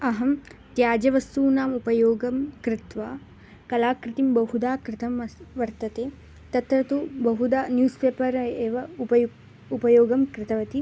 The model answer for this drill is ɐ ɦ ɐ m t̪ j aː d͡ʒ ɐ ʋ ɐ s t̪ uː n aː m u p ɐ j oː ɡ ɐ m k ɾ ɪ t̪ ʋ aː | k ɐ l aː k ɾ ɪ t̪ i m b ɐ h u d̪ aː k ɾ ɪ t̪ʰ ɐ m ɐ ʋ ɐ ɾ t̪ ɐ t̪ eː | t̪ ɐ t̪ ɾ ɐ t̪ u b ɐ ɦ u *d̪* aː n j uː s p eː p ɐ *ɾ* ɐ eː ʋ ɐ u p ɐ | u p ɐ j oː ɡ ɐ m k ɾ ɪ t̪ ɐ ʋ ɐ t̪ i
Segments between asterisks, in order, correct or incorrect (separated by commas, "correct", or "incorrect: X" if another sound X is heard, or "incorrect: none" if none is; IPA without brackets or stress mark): correct, correct